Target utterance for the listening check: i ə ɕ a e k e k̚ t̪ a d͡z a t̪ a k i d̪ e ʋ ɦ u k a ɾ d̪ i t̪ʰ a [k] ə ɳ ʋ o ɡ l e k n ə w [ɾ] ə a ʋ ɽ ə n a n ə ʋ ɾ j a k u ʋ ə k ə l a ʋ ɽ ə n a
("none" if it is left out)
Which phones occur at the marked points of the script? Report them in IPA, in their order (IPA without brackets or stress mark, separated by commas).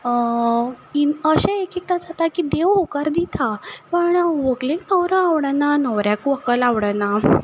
p, ɾ